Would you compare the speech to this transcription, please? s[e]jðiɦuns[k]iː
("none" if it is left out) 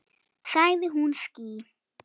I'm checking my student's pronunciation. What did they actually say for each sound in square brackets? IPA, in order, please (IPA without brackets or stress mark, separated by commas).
a, k